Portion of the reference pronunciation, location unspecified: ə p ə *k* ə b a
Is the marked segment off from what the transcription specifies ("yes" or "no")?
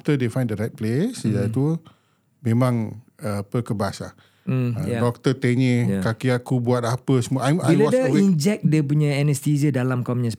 no